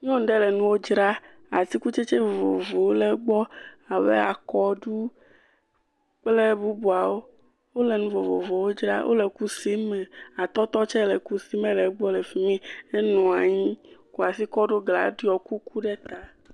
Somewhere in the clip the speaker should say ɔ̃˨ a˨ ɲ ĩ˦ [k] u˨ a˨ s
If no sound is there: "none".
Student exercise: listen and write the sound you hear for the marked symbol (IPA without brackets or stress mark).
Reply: k